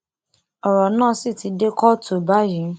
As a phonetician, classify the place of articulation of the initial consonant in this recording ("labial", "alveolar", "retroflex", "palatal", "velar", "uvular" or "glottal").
alveolar